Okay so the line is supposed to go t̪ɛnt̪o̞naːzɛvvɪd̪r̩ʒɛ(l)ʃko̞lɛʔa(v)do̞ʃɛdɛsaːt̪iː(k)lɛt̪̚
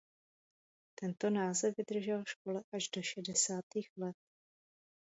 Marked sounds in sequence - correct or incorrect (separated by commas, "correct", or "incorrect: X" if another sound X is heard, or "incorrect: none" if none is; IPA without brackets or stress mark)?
correct, incorrect: ʒ, incorrect: x